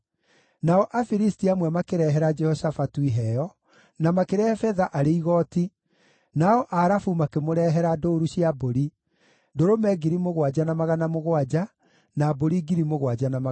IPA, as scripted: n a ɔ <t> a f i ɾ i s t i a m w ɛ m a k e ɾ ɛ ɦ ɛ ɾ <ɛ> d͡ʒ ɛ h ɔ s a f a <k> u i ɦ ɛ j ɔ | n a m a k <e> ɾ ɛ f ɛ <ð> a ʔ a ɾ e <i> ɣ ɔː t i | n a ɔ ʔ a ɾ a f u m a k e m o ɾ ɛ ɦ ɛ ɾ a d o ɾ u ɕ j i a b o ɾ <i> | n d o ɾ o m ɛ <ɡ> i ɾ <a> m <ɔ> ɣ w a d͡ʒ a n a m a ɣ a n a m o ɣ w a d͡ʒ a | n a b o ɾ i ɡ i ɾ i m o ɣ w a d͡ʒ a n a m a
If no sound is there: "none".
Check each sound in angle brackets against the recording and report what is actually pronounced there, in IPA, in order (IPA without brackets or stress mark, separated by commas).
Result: ʔ, a, t, e, ð, i, i, ɡ, i, o